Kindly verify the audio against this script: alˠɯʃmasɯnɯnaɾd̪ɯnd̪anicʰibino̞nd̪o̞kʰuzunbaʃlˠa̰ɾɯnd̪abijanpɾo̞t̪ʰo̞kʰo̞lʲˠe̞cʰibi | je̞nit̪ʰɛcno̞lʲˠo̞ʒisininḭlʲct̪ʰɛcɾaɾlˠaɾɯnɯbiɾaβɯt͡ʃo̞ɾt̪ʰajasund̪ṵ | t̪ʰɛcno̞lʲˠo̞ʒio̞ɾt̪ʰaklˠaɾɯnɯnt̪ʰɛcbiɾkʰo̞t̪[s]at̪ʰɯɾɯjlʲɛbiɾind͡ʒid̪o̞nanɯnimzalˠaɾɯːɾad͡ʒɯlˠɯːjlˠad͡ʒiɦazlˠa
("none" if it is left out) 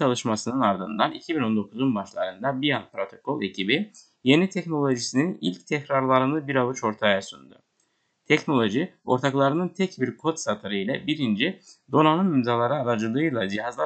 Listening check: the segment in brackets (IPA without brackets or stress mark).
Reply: s